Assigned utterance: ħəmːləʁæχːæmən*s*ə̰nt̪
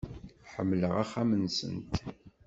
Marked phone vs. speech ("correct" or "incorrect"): correct